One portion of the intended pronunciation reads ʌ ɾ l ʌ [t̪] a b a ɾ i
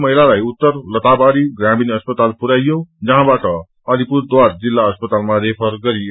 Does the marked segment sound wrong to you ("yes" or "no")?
no